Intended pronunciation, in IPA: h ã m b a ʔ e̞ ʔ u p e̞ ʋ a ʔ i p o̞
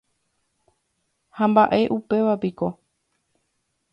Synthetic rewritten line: h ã m b a ʔ e̞ ʔ u p e̞ ʋ a p i k o̞